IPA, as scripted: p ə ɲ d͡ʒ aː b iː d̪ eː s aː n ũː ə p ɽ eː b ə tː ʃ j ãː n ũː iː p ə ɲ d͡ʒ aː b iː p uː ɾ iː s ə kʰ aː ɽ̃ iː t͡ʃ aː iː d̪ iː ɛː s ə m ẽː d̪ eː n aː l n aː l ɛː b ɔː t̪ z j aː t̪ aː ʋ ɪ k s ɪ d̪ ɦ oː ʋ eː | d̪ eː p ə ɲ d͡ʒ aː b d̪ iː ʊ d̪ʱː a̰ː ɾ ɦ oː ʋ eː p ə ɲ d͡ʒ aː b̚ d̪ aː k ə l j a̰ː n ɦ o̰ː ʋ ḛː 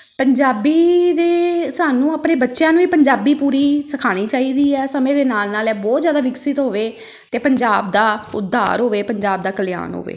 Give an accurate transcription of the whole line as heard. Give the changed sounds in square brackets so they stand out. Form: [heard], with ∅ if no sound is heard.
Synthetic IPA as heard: p ə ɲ d͡ʒ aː b iː d̪ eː s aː n ũː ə p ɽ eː b ə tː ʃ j ãː n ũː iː p ə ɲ d͡ʒ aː b iː p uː ɾ iː s ə kʰ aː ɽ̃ iː t͡ʃ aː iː d̪ iː ɛː s ə m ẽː d̪ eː n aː l n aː l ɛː b ɔː t̪ z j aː [d̪] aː ʋ ɪ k s ɪ [t̪] ɦ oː ʋ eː | [t̪] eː p ə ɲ d͡ʒ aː b d̪ [aː] ʊ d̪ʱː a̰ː ɾ ɦ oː ʋ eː p ə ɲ d͡ʒ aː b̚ d̪ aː k ə l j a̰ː n ɦ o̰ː ʋ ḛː